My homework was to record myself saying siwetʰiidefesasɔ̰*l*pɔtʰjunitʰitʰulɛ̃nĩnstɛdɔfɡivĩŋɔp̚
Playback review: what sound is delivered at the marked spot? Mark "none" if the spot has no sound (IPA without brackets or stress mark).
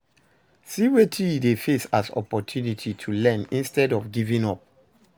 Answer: none